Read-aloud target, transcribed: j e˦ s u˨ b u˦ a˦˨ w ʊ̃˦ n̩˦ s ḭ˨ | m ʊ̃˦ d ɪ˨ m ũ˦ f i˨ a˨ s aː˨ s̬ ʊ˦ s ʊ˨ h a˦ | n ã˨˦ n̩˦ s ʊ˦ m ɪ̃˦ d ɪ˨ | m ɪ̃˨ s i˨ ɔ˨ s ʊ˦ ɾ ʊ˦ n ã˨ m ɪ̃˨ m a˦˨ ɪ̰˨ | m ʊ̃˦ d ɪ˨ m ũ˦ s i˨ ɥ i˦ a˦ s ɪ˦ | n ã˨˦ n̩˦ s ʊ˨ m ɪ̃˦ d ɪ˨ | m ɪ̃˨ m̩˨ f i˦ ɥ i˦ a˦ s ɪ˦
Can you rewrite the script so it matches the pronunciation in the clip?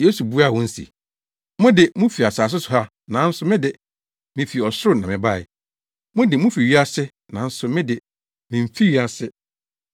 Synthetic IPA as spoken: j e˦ s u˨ b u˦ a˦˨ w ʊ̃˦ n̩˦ s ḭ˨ | m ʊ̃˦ d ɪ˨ m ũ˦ f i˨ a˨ s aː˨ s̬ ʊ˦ s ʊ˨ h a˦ | n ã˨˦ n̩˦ s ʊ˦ m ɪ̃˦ d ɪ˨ | m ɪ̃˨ f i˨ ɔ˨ s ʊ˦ ɾ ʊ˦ n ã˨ m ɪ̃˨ b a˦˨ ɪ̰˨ | m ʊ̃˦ d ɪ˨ m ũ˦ f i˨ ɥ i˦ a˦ s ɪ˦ | n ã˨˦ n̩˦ s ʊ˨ m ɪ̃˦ d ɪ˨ | m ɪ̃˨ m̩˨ f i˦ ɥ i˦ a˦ s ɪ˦